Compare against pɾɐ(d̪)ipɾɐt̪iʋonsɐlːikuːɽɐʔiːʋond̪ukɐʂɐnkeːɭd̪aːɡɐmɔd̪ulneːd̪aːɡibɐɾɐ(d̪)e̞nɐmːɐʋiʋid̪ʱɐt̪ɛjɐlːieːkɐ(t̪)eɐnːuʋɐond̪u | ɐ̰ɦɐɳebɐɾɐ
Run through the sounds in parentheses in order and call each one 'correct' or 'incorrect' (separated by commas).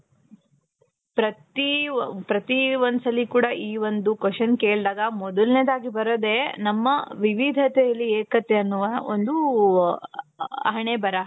incorrect, correct, correct